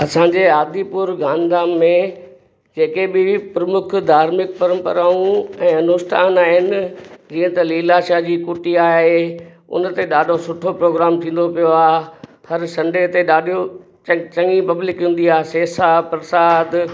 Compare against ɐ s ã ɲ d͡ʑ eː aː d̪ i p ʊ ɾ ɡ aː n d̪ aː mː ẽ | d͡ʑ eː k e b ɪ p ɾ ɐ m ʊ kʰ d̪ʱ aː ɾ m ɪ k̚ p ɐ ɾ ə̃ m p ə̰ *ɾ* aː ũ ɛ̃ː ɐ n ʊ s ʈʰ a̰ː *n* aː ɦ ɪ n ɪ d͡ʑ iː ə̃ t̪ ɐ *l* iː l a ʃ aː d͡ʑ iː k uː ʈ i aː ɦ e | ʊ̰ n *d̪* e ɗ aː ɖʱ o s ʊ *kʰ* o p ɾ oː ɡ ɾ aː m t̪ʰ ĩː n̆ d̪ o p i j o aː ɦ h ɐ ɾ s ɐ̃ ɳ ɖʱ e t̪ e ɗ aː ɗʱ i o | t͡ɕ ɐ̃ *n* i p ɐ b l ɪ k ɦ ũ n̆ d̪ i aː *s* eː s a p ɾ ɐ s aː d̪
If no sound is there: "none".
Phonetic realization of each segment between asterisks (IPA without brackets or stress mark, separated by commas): ɾ, n, l, t̪, ʈʰ, ŋ, s